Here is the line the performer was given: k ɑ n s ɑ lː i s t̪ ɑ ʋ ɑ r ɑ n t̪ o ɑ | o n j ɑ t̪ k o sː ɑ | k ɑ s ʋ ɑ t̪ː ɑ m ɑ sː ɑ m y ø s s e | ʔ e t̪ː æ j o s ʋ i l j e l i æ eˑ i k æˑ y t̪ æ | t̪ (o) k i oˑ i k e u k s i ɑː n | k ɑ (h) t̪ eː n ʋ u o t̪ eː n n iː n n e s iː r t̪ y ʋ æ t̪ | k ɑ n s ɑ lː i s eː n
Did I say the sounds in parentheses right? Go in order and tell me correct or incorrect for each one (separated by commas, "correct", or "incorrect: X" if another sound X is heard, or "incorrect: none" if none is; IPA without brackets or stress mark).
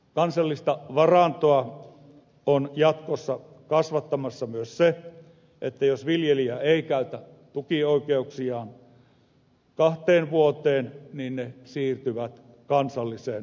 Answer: incorrect: u, correct